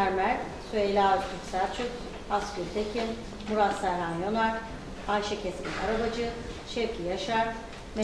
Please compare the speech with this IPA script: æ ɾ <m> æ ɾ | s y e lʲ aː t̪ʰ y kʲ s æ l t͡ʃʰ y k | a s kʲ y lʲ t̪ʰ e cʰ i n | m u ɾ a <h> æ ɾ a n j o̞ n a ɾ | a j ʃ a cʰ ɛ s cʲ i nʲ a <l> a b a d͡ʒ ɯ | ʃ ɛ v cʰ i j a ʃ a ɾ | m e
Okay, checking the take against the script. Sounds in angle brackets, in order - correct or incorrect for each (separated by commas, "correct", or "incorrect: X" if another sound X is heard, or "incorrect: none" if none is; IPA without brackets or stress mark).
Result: correct, incorrect: s, incorrect: ɾ